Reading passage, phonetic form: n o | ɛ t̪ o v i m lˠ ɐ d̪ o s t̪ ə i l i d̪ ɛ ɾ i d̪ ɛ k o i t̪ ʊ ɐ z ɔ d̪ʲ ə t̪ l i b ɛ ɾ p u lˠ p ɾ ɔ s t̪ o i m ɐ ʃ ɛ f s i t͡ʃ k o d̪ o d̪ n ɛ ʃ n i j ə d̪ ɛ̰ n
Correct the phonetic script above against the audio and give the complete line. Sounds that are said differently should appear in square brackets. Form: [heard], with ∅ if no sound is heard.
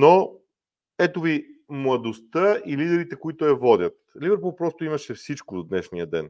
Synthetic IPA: n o | ɛ t̪ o v i m lˠ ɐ d̪ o s t̪ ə i l i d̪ ɛ ɾ i [t̪] ɛ k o i t̪ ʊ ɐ [v] ɔ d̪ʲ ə t̪ l i [v] ɛ ɾ p u lˠ p ɾ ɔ s t̪ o i m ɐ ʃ ɛ f s i t͡ʃ k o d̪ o d̪ n ɛ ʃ n i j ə d̪ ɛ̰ n